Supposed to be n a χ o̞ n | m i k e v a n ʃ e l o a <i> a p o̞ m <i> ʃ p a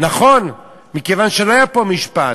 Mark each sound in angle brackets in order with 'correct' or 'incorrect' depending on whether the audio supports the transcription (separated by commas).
incorrect, correct